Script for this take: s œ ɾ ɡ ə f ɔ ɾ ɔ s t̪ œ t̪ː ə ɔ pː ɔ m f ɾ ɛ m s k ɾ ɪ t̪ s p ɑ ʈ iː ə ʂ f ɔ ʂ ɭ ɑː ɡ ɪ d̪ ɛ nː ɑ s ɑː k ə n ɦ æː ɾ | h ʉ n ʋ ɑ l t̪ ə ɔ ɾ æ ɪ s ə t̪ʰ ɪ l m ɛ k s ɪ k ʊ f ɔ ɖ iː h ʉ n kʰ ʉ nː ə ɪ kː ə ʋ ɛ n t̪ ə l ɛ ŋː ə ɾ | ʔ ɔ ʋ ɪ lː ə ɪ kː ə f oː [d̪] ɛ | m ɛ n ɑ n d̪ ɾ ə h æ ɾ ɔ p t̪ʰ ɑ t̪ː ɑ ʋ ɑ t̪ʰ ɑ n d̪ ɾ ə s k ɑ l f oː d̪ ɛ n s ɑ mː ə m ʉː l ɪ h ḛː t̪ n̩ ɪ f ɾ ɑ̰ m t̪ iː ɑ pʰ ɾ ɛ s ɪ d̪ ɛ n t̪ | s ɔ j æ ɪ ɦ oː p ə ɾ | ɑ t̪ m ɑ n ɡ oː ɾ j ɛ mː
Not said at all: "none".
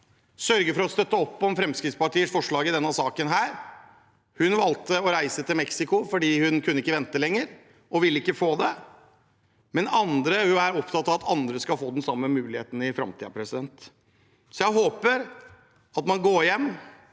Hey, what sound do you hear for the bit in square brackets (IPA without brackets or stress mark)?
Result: d̪